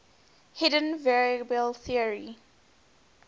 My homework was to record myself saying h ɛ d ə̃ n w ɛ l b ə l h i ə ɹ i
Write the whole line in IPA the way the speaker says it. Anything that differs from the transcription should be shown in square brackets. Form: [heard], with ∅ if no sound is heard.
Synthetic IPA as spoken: h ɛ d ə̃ n [v] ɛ [ɹ] b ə l [θ] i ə ɹ i